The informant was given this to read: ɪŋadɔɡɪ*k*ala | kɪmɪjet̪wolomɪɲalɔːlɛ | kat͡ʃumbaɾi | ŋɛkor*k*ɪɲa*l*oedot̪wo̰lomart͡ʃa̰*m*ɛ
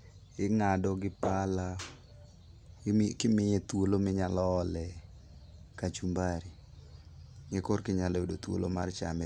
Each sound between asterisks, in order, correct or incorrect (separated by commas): incorrect, correct, correct, correct